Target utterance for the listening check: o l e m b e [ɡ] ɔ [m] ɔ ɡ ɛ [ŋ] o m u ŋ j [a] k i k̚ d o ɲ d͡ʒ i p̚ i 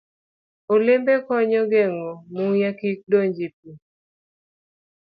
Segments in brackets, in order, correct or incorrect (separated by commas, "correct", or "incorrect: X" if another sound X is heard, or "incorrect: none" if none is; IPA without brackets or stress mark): incorrect: k, incorrect: ɲ, correct, correct